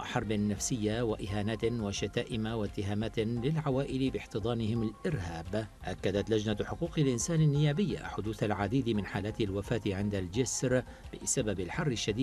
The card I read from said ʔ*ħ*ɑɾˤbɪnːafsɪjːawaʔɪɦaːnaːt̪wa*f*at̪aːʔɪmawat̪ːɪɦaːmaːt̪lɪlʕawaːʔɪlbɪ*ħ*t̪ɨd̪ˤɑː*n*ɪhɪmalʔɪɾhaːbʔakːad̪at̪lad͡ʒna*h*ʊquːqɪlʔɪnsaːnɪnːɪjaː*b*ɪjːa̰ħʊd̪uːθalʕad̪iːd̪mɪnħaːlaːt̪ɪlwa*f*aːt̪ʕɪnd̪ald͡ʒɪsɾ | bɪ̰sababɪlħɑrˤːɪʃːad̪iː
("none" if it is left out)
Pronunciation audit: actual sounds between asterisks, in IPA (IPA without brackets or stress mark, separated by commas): ħ, ʃ, ħ, n, ħ, b, f